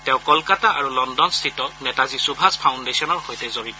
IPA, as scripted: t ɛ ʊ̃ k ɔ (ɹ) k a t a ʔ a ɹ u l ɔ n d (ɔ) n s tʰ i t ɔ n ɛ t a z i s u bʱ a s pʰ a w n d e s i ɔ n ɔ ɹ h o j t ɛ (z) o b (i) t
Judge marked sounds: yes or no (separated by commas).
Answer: no, yes, yes, yes